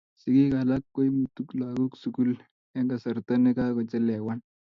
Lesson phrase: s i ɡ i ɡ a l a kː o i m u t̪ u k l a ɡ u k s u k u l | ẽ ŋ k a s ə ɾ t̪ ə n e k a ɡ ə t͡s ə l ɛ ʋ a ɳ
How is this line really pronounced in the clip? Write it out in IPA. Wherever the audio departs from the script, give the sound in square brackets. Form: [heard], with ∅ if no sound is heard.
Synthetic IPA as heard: s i ɡ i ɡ a l a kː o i m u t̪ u k l a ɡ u k s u k u l | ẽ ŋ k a s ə ɾ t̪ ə n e k a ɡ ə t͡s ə l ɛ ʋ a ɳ